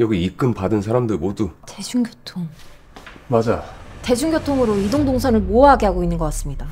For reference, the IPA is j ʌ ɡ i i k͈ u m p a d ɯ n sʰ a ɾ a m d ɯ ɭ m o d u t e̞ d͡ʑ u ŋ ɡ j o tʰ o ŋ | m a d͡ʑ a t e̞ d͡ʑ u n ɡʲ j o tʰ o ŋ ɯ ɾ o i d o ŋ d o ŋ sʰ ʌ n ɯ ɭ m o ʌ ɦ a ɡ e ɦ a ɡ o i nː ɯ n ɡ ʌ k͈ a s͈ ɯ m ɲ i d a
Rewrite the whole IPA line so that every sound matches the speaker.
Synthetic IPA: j ʌ ɡ i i k͈ ɯ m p a d ɯ n sʰ a ɾ a m d ɯ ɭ m o d u t e̞ d͡ʑ u ŋ ɡ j o tʰ o ŋ | m a d͡ʑ a t e̞ d͡ʑ u ŋ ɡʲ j o tʰ o ŋ ɯ ɾ o i d o ŋ d o ŋ sʰ ʌ n ɯ ɭ m o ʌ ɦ a ɡ e ɦ a ɡ o i nː ɯ n ɡ ʌ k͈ a s͈ ɯ m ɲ i d a